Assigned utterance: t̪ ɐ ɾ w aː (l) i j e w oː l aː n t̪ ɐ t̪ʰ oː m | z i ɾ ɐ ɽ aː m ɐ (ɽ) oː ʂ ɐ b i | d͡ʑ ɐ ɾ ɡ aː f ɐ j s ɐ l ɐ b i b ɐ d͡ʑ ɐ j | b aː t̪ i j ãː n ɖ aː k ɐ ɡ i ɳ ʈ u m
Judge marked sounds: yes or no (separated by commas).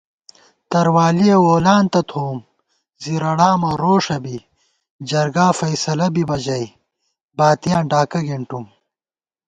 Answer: yes, no